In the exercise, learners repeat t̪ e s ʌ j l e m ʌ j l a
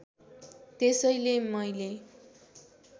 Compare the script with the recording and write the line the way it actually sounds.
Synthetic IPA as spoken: t̪ e s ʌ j l e m ʌ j l e